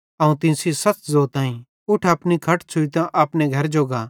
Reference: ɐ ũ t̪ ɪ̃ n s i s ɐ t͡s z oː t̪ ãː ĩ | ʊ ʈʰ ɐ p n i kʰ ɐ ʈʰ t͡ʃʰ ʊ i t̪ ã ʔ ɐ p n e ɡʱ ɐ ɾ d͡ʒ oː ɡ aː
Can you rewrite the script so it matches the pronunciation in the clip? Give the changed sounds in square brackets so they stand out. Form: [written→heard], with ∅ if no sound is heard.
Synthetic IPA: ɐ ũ t̪ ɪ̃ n s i s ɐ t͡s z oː t̪ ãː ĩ | ʊ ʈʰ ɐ p n i kʰ ɐ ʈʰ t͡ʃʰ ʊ i t̪ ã ʔ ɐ p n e ɡʱ ɐ ɾ d͡ʒ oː ɡ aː